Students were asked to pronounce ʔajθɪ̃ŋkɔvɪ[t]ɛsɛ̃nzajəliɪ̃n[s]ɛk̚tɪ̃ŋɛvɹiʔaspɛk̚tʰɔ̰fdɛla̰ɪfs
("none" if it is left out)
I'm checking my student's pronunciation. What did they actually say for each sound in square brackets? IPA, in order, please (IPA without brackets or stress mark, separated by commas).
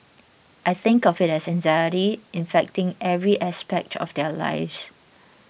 t, f